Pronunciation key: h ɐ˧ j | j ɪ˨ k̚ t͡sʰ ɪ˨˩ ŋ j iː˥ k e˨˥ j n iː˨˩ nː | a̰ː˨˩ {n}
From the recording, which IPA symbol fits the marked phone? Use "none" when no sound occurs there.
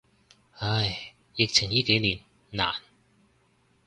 n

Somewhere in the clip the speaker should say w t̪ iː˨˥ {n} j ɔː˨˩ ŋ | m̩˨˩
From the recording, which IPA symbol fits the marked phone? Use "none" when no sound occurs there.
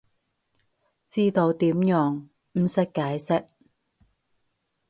m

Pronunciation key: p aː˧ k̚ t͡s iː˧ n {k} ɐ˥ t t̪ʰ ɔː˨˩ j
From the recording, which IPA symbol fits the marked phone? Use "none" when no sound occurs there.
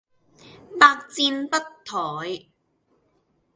p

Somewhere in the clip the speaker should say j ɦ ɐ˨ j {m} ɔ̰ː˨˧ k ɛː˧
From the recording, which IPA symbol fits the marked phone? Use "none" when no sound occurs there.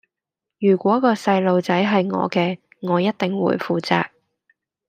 ŋ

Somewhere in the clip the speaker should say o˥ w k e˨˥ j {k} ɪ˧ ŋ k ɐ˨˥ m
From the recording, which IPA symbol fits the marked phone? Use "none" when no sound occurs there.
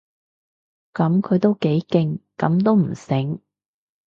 k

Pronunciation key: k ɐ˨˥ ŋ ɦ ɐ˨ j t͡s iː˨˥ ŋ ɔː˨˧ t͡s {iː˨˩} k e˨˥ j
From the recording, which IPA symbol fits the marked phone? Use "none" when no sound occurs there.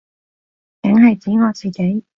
iː˨˩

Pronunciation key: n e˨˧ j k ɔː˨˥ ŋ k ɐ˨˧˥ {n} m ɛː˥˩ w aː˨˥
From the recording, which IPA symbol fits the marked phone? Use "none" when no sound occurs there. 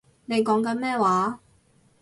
n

